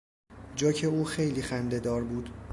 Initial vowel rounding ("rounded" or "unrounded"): rounded